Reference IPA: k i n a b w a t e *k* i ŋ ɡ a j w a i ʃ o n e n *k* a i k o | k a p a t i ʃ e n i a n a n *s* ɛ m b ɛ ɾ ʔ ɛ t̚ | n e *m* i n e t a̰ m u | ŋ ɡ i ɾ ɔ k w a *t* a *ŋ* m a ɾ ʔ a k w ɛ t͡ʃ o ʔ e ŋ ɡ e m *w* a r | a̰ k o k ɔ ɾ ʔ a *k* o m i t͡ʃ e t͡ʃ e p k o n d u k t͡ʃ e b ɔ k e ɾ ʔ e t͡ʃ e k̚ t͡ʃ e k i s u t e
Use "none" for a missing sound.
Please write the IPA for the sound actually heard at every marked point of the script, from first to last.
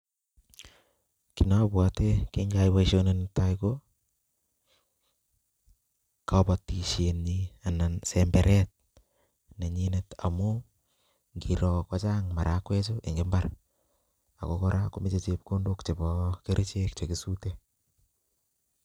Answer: k, t, s, ɲ, t͡ʃ, ŋ, b, k

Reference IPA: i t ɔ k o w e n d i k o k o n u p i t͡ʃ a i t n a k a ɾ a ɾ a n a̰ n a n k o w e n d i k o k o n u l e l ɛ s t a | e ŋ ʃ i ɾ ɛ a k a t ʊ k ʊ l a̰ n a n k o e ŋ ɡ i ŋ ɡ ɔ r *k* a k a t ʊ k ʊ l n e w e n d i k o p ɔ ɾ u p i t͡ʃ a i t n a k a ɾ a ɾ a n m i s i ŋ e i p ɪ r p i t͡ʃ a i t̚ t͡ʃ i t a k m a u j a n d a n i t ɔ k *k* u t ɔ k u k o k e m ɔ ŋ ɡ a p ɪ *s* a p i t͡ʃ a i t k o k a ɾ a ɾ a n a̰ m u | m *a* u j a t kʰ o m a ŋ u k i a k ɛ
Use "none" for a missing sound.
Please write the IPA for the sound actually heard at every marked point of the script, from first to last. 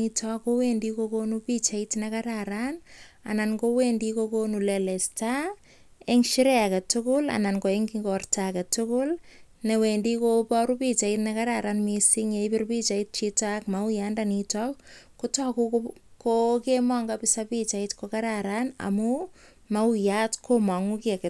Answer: t, k, s, a

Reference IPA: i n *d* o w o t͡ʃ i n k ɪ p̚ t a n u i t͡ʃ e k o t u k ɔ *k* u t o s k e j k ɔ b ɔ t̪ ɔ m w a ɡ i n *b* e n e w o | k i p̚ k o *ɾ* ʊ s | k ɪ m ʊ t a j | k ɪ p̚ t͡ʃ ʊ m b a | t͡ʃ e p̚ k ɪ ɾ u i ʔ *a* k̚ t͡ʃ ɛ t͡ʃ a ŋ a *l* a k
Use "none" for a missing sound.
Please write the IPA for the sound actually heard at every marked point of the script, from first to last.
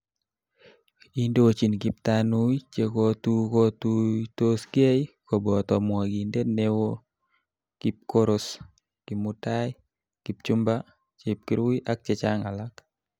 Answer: d, t, d, ɾ, a, l

